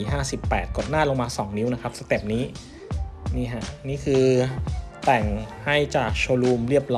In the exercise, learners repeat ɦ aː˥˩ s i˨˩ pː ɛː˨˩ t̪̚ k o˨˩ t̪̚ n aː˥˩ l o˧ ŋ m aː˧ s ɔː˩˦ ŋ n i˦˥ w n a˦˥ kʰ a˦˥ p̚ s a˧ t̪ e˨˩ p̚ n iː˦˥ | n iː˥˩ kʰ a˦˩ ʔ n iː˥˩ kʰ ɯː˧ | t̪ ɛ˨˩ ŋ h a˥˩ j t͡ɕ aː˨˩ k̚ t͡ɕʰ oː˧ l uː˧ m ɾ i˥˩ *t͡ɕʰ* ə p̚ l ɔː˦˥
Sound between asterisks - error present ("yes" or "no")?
yes